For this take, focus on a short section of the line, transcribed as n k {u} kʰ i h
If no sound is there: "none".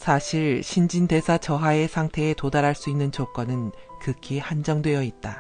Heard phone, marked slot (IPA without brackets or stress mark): ɯ